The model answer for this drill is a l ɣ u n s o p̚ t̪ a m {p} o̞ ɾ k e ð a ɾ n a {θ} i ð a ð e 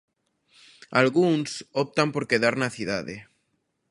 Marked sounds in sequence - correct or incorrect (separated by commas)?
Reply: correct, correct